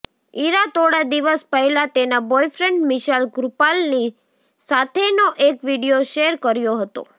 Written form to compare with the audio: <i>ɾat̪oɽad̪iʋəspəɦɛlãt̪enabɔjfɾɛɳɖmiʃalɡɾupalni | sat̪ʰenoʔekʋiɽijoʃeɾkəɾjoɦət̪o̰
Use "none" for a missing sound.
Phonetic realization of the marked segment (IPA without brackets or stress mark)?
i